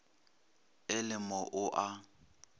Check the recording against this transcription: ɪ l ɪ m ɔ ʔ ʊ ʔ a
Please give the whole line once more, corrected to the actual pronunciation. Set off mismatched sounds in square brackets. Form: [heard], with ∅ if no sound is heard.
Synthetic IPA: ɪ l ɪ m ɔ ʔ ʊ ʔ a